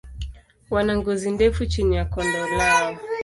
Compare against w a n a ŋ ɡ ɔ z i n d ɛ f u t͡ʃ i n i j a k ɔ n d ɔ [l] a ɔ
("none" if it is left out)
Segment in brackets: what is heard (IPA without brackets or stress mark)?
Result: l